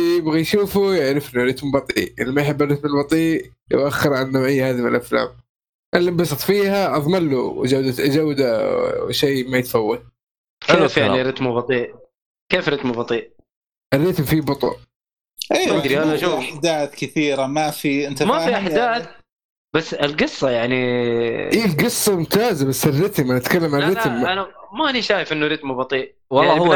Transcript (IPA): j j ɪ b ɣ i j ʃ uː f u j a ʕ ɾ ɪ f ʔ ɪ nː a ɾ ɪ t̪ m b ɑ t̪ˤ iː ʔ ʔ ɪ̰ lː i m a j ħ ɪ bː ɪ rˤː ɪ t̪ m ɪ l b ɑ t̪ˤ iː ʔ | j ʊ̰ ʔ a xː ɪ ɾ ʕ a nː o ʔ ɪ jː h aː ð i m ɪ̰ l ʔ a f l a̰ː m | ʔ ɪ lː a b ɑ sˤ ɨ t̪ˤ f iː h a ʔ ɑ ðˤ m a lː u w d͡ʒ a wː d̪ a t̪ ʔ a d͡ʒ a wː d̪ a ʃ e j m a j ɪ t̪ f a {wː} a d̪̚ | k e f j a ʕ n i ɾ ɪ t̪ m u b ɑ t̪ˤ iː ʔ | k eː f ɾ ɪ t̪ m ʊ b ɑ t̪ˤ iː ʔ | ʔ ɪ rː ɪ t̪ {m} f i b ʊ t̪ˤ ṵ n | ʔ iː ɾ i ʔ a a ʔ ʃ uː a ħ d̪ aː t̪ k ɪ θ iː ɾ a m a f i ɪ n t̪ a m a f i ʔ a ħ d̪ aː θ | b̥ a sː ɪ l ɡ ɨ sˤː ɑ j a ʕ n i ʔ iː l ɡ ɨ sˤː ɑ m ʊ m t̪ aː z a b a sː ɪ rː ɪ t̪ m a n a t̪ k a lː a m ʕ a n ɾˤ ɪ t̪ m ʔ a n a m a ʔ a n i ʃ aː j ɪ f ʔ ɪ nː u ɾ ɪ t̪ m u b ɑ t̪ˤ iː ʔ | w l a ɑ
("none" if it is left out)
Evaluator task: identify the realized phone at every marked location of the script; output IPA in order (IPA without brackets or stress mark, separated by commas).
wː, m